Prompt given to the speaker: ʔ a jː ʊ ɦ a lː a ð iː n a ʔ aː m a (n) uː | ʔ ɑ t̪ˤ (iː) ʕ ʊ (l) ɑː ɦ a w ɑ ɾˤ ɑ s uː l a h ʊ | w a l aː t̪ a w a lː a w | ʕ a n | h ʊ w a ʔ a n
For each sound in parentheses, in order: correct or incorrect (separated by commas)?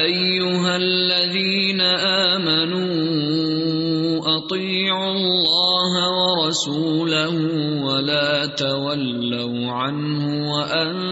correct, correct, incorrect